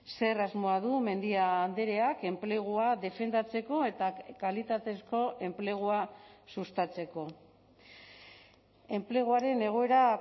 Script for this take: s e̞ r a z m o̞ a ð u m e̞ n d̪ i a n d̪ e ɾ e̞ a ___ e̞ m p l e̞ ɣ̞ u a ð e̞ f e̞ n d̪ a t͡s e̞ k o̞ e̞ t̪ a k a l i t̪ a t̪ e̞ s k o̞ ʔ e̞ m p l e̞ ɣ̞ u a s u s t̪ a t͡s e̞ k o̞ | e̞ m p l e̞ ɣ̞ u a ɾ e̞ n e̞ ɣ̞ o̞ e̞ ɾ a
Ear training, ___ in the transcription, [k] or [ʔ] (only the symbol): k